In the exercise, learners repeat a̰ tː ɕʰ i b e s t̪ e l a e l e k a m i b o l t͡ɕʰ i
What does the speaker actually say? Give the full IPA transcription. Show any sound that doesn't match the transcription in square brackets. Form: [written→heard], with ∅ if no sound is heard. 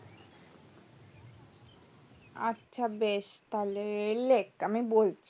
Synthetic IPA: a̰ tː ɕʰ [i→a] b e [s→ʃ] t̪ [e→a] l [a→e] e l e k a m i b o l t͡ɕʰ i